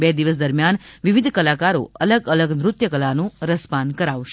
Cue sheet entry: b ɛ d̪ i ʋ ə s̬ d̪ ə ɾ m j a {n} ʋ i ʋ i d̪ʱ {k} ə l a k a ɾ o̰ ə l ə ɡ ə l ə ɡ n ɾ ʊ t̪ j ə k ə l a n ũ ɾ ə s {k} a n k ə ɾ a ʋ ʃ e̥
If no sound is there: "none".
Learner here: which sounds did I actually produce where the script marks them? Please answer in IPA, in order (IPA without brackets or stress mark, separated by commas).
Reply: n, k, p